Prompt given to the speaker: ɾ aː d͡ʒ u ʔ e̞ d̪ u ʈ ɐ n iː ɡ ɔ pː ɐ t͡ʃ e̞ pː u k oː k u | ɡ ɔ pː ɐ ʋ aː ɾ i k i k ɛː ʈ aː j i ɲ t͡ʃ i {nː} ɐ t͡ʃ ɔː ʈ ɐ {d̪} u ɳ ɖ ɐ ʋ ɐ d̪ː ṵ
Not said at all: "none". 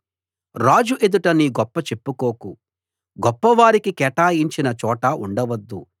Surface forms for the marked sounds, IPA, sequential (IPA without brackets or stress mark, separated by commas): n, none